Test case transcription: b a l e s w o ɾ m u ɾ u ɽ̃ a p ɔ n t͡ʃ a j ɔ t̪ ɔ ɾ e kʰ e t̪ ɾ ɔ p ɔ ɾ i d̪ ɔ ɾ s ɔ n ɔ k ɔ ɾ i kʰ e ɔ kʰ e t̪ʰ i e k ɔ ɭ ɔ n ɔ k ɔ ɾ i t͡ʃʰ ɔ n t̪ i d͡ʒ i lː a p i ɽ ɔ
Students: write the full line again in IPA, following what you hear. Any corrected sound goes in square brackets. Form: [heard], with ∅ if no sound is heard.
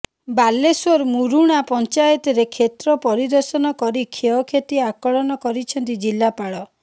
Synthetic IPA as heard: b a l e s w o ɾ m u ɾ u ɽ̃ a p ɔ n t͡ʃ a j ɔ t̪ ɔ ɾ e kʰ e t̪ ɾ ɔ p ɔ ɾ i d̪ ɔ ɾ s ɔ n ɔ k ɔ ɾ i kʰ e ɔ kʰ e [t̪] i [a] k ɔ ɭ ɔ n ɔ k ɔ ɾ i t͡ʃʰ ɔ n t̪ i d͡ʒ i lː a p [a] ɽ ɔ